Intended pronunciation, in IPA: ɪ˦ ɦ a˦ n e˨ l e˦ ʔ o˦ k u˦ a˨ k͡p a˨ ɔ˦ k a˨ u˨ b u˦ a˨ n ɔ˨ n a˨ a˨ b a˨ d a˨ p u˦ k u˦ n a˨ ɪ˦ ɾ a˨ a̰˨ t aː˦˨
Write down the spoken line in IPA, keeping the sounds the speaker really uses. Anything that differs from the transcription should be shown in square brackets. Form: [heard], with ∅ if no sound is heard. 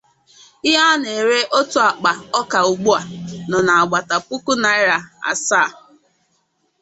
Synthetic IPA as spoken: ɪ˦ ɦ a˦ n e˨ [ɾ] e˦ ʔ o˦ [t] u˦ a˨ k͡p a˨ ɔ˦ k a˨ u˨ [ɡ͡b] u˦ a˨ n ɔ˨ n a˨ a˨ [ɡ͡b] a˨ [t] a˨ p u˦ k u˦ n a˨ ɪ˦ ɾ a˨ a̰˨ [s] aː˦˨